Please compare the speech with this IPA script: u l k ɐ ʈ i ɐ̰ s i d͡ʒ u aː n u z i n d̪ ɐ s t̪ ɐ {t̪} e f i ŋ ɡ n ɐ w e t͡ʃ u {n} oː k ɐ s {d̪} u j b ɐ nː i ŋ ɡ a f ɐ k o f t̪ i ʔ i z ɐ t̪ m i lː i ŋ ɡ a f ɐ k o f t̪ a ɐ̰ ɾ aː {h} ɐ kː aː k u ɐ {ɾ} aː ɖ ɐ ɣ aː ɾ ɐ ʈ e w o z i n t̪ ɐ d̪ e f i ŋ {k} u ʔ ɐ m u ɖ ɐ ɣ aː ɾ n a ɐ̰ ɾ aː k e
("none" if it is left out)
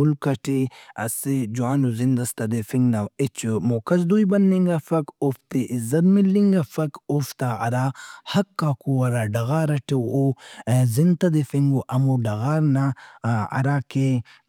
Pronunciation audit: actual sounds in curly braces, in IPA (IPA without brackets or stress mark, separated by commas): d̪, m, d̪, h, ɾ, ɡ